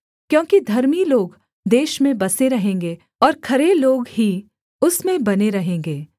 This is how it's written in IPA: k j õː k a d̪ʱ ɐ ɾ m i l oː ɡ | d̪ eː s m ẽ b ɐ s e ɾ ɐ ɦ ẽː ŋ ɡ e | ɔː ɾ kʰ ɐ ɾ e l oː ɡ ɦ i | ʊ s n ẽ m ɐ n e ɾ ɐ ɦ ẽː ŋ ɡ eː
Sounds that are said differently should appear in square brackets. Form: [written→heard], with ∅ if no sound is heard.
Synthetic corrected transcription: k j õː k [a→i] d̪ʱ ɐ ɾ m i l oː ɡ | d̪ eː [s→ʃ] m ẽ b ɐ s e ɾ ɐ ɦ ẽː ŋ ɡ e | ɔː ɾ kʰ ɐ ɾ e l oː ɡ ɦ i | ʊ s [n→m] ẽ [m→b] ɐ n e ɾ ɐ ɦ ẽː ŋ ɡ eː